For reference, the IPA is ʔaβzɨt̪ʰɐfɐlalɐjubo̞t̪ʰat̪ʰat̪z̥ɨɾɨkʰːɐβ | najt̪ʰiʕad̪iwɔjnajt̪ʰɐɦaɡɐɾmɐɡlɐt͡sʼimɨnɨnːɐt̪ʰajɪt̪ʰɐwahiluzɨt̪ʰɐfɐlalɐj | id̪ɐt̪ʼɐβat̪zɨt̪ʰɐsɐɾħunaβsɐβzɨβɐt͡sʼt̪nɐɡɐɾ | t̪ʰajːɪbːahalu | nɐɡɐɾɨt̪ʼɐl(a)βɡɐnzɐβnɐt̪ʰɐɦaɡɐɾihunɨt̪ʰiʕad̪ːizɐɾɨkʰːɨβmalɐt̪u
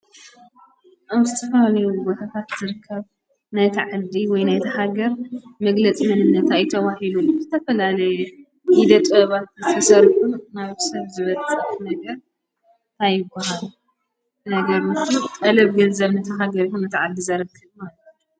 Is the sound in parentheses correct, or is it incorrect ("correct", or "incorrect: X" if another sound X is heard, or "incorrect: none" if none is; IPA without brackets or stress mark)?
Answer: incorrect: ɐ